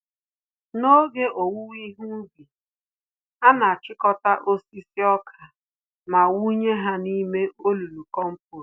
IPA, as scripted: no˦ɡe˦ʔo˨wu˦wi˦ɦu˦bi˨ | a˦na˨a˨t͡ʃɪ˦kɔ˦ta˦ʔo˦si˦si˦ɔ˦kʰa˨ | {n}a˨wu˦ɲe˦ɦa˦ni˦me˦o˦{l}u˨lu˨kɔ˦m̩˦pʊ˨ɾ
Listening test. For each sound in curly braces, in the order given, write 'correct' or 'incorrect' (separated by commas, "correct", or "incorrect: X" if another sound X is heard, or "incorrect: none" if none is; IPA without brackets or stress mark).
incorrect: m, correct